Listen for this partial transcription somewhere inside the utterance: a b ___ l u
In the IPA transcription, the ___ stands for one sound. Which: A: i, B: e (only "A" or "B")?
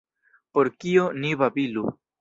A